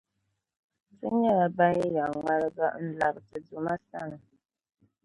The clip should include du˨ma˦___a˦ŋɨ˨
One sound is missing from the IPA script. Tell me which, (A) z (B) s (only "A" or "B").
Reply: B